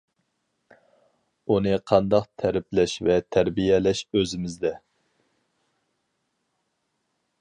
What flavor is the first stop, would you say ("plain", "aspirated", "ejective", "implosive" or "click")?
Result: aspirated